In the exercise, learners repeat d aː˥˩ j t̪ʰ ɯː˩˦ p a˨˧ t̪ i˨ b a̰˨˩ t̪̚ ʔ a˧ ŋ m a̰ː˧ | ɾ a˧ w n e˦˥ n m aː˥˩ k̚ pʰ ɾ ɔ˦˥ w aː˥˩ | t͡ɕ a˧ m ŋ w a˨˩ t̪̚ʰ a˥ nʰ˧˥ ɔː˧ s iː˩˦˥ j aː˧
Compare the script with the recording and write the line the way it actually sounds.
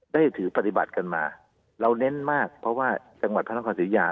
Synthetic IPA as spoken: d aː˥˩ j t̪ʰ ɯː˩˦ p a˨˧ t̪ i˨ b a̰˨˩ t̪̚ k a˧ n m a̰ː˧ | ɾ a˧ w n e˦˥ n m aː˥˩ k̚ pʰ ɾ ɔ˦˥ w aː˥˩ | t͡ɕ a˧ ŋ w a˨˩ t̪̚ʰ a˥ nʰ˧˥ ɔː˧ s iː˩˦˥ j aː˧